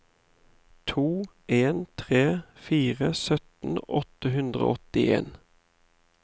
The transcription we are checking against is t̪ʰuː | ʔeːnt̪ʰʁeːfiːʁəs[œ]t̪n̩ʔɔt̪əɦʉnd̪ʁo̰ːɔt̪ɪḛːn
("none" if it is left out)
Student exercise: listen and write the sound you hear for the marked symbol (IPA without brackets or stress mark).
œ